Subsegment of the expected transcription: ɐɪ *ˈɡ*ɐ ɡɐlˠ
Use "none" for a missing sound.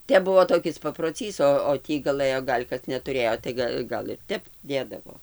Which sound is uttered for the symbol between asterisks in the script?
ɡ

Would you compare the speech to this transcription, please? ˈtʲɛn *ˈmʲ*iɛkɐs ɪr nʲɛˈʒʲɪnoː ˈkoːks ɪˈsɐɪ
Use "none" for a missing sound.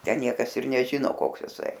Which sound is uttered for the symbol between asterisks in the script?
nʲ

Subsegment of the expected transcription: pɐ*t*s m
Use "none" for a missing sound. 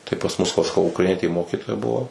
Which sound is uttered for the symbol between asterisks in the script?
none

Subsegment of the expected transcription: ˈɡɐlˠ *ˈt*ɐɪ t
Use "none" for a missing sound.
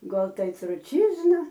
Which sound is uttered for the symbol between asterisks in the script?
t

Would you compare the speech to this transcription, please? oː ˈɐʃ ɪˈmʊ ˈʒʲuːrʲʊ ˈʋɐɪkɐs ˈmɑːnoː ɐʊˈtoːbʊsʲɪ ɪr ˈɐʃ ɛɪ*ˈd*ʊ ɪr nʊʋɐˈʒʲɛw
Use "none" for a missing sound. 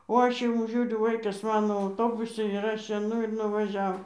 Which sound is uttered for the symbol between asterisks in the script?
n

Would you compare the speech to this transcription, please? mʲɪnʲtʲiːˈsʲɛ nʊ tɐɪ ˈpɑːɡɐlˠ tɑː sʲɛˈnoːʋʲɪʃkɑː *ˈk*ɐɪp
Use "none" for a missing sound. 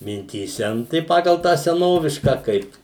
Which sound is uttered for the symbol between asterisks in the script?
k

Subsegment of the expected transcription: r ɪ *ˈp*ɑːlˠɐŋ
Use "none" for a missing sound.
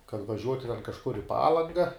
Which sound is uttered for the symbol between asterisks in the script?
p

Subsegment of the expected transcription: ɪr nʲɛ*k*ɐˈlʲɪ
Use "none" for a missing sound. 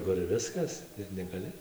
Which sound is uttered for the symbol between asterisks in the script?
ɡ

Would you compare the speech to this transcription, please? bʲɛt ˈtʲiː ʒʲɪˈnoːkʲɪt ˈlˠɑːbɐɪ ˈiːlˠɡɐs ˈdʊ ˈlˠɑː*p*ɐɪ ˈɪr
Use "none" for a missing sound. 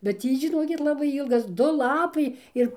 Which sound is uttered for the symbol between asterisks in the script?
p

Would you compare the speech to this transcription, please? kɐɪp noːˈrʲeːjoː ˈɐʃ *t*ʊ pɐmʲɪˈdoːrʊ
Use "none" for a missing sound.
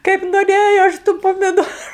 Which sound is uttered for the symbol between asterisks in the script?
t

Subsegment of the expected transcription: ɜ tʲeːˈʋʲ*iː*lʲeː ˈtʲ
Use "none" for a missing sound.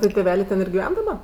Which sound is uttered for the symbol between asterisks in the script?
æː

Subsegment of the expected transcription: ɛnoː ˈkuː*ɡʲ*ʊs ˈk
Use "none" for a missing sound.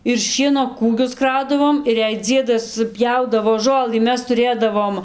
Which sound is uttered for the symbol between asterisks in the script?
ɡʲ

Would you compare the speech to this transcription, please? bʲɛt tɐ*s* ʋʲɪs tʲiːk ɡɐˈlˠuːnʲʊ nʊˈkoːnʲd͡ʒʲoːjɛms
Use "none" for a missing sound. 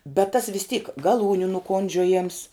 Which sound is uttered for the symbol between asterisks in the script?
s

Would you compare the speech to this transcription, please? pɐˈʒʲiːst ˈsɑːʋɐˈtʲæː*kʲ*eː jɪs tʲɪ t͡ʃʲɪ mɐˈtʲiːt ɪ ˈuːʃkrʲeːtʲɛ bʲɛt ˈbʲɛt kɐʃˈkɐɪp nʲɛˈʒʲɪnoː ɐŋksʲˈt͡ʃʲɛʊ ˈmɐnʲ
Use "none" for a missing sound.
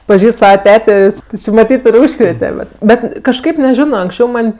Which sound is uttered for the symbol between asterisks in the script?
tʲ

